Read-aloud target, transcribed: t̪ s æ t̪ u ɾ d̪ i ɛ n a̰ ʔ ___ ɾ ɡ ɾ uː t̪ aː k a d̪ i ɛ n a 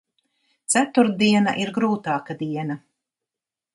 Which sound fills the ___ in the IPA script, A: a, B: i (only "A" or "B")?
B